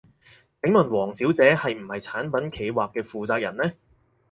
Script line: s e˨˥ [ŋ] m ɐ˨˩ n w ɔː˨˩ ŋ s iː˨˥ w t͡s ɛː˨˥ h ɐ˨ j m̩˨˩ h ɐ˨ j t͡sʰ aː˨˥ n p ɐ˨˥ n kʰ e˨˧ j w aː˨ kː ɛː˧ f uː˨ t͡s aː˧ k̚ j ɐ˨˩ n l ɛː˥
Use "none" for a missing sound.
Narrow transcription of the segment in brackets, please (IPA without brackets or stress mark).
ŋ